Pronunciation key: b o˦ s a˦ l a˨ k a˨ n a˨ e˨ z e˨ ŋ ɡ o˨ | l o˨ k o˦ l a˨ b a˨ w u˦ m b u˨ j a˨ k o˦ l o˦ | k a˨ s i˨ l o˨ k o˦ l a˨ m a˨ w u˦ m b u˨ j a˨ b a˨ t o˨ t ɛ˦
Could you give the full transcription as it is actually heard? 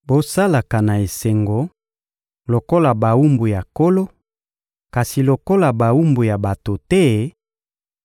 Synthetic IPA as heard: b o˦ s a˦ l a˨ k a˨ n a˨ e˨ s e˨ ŋ ɡ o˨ | l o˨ k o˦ l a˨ b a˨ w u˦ m b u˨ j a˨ k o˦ l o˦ | k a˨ s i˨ l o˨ k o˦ l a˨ b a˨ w u˦ m b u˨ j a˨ b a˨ t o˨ t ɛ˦